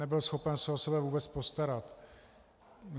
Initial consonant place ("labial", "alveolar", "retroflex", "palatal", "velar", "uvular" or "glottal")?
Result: labial